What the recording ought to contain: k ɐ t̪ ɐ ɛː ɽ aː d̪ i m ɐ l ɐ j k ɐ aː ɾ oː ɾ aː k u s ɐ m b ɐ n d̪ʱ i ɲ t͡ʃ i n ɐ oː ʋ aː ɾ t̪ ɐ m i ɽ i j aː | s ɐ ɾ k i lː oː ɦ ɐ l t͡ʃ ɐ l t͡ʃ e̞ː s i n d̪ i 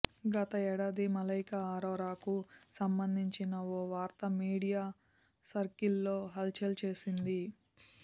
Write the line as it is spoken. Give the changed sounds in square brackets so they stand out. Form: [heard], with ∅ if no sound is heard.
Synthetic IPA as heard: [ɡ] ɐ t̪ ɐ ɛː ɽ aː d̪ i m ɐ l ɐ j k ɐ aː ɾ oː ɾ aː k u s ɐ m b ɐ n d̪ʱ i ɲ t͡ʃ i n ɐ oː ʋ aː ɾ t̪ ɐ m [iː] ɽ i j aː | s ɐ ɾ k i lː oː ɦ ɐ l t͡ʃ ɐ l t͡ʃ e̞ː s i n d̪ i